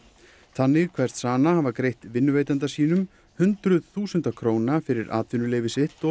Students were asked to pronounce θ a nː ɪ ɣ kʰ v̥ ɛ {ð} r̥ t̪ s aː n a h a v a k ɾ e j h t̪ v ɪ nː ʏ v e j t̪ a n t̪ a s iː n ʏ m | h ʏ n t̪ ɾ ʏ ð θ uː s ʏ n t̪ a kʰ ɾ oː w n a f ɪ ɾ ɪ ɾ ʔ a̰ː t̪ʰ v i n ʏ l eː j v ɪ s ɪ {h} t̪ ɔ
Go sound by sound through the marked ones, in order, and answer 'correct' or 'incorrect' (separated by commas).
incorrect, correct